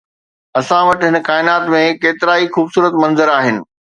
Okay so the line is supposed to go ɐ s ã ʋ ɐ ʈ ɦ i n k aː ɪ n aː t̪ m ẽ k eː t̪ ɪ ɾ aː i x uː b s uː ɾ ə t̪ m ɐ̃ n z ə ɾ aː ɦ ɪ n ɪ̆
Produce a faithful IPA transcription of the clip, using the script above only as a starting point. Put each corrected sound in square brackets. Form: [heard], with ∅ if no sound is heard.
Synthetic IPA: ɐ s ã ʋ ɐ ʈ ɦ [ɪ] n k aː ɪ n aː t̪ m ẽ k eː t̪ ɪ ɾ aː i x uː b s uː ɾ ə t̪ m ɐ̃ n z ə ɾ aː ɦ ɪ n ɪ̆